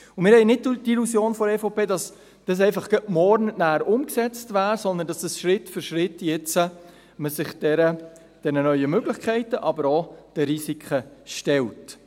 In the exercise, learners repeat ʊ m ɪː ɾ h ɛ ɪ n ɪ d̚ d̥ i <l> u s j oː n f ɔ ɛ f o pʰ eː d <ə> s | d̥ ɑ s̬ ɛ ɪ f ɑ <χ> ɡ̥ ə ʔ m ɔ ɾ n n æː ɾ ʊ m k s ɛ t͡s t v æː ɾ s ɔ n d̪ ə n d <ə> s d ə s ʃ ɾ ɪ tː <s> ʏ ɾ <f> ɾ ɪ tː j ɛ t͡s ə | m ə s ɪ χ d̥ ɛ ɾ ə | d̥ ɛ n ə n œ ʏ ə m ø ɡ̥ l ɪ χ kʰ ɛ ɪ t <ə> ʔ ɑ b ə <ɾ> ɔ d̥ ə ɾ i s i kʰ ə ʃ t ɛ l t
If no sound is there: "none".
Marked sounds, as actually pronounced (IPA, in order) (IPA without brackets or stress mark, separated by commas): l, ɑ, χ, ɑ, f, ʃ, ə, ɾ